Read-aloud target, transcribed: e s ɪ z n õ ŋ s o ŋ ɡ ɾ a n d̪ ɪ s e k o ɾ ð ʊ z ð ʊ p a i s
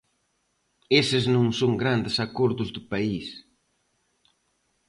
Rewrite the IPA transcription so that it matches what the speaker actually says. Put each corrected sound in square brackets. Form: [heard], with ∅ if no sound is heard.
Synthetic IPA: e s ɪ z n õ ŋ s o ŋ ɡ ɾ a n d̪ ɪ s [a] k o ɾ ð ʊ z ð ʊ p a i s